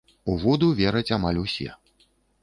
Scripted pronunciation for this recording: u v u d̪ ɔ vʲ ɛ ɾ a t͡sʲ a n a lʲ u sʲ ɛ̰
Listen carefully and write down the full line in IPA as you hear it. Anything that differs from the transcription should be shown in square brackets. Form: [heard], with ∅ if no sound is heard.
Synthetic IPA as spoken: u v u d̪ [u] vʲ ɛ ɾ [ɐ] t͡sʲ a [m] a lʲ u sʲ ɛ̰

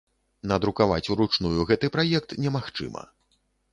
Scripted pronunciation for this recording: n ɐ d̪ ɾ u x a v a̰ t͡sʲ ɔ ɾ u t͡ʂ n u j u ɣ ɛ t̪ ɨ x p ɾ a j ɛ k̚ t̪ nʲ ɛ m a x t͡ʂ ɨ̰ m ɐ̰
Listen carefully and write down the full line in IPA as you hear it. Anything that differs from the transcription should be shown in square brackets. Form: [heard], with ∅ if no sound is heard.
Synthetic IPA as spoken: n ɐ d̪ ɾ u [k] a v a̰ t͡sʲ [u] ɾ u t͡ʂ n u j u ɣ ɛ t̪ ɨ [∅] p ɾ a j ɛ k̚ t̪ nʲ ɛ m a x t͡ʂ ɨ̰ m ɐ̰

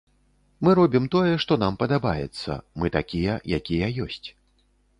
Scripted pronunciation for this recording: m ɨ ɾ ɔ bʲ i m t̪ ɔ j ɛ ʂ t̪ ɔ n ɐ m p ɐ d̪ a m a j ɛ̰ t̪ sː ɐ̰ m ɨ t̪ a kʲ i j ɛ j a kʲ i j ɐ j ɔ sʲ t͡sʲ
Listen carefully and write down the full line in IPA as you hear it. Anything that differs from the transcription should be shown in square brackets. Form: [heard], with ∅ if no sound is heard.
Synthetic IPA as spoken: m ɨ ɾ ɔ bʲ i m t̪ ɔ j ɛ ʂ t̪ ɔ n [a] m p ɐ d̪ a [b] a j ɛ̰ t̪ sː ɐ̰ m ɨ t̪ a kʲ i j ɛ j a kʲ i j ɐ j ɔ sʲ t͡sʲ

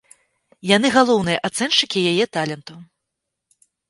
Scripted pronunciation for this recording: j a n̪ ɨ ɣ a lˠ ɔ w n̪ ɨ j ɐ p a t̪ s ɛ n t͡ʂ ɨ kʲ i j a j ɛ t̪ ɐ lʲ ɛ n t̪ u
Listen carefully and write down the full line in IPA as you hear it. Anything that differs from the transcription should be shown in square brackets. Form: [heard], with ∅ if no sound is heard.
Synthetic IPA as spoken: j a n̪ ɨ ɣ a lˠ ɔ w n̪ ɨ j ɐ [ʔ] a t̪ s ɛ n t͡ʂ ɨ kʲ i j a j ɛ t̪ [a] lʲ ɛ n t̪ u

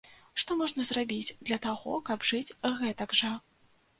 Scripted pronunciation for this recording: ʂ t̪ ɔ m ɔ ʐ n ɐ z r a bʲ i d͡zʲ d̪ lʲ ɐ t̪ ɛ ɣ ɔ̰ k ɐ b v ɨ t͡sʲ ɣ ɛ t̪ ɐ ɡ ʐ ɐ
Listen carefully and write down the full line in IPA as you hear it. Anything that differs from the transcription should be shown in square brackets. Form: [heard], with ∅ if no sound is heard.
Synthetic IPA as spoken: ʂ t̪ ɔ m ɔ ʐ n ɐ z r a bʲ i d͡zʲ d̪ lʲ ɐ t̪ [a] ɣ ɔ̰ k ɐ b [ʐ] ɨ t͡sʲ ɣ ɛ t̪ ɐ ɡ ʐ ɐ

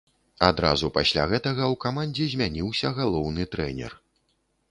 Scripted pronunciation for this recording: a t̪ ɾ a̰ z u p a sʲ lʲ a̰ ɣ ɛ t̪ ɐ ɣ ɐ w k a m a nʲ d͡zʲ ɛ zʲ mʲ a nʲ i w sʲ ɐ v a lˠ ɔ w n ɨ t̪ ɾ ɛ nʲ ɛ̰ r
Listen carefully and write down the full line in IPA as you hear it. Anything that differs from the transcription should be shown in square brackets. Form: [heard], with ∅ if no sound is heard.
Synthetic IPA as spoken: a [d̪] ɾ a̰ z u p a sʲ lʲ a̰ ɣ ɛ t̪ ɐ ɣ ɐ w k a m a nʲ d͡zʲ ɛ zʲ mʲ a nʲ i w sʲ ɐ [ɣ] a lˠ ɔ w n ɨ t̪ ɾ ɛ nʲ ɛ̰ r

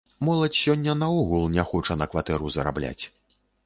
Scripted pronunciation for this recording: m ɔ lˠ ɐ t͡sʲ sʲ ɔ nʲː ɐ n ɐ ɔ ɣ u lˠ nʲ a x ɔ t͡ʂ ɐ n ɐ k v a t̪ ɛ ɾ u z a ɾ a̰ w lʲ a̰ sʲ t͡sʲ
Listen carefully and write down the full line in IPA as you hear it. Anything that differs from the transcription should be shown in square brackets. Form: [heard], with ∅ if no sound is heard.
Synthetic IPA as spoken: m ɔ lˠ ɐ t͡sʲ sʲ ɔ nʲː ɐ n ɐ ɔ ɣ u lˠ nʲ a x ɔ t͡ʂ ɐ n ɐ k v a t̪ ɛ ɾ u z [ɐ] ɾ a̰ [b] lʲ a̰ [∅] t͡sʲ

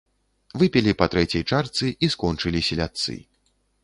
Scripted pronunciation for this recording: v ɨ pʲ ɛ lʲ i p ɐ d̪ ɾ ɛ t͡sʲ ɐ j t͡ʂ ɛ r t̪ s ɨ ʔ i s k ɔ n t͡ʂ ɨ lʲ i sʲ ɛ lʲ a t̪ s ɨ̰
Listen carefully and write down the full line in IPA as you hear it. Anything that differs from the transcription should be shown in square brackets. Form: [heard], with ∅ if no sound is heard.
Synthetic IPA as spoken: v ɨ pʲ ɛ lʲ i p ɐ [t̪] ɾ ɛ t͡sʲ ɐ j t͡ʂ [a] r t̪ s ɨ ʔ i s k ɔ n t͡ʂ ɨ lʲ i sʲ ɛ lʲ a t̪ s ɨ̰

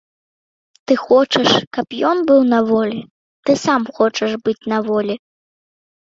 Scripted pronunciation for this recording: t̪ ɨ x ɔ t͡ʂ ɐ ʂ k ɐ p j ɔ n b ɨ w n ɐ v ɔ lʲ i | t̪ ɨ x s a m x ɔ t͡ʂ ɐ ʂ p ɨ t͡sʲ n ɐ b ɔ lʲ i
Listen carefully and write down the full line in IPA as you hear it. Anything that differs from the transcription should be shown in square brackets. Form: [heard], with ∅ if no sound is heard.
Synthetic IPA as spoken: t̪ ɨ x ɔ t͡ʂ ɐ ʂ k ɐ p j ɔ n b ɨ w n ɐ v ɔ lʲ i | t̪ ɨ [∅] s a m x ɔ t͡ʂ ɐ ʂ [b] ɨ t͡sʲ n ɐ [v] ɔ lʲ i

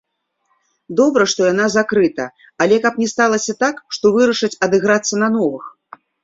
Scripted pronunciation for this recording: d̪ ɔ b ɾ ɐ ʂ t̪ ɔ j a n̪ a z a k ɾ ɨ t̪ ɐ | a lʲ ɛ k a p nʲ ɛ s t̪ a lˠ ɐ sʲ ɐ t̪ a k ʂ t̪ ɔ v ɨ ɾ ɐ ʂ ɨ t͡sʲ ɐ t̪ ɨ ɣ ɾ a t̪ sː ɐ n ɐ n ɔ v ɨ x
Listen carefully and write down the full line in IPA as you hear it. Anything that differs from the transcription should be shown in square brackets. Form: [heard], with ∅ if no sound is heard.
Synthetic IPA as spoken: d̪ ɔ b ɾ ɐ ʂ t̪ ɔ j a n̪ a z a k ɾ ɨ t̪ ɐ | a lʲ ɛ k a p nʲ ɛ s t̪ a lˠ ɐ sʲ ɐ t̪ a k ʂ t̪ ɔ v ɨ ɾ ɐ ʂ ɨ t͡sʲ ɐ [d̪] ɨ ɣ ɾ a t̪ sː ɐ n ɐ n ɔ v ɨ x

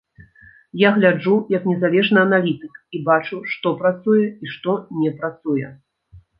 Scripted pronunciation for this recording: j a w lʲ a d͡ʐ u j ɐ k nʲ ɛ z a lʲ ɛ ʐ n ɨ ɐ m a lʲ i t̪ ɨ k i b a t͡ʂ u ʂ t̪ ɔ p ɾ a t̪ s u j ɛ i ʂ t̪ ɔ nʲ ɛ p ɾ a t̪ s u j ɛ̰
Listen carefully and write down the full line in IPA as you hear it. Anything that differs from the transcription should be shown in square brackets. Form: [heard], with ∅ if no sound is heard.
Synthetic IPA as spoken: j a [ɣ] lʲ a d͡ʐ u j ɐ k nʲ ɛ z a lʲ ɛ ʐ n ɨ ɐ [n] a lʲ i t̪ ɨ k i b a t͡ʂ u ʂ t̪ ɔ p ɾ a t̪ s u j ɛ i ʂ t̪ ɔ nʲ ɛ p ɾ a t̪ s u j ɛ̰

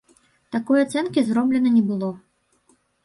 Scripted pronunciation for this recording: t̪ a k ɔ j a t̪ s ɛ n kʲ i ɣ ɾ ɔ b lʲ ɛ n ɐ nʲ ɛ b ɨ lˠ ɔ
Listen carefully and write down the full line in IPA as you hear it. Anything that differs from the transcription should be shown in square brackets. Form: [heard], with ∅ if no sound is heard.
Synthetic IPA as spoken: t̪ a k ɔ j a t̪ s ɛ n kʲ i [z] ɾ ɔ b lʲ ɛ n ɐ nʲ ɛ b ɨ lˠ ɔ

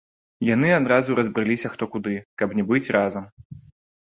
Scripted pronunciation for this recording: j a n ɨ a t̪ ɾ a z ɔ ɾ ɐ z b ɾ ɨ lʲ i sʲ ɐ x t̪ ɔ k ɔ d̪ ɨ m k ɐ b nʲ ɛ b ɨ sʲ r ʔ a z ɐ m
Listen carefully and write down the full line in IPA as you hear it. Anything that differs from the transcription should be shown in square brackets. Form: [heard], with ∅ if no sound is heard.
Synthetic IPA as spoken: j a n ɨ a [d̪] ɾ a z [u] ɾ ɐ z b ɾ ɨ lʲ i sʲ ɐ x t̪ ɔ k [u] d̪ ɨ [∅] k ɐ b nʲ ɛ b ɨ [t͡sʲ] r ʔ a z ɐ m

